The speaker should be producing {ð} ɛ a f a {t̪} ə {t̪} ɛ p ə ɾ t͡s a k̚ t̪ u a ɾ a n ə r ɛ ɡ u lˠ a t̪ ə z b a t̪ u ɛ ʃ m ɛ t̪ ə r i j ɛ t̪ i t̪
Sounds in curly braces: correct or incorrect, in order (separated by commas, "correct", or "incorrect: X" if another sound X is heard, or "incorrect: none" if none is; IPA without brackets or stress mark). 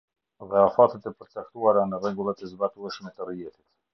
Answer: correct, correct, correct